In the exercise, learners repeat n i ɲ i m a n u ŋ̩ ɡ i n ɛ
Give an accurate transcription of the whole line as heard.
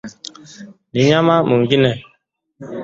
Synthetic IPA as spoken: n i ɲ a m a m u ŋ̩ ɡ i n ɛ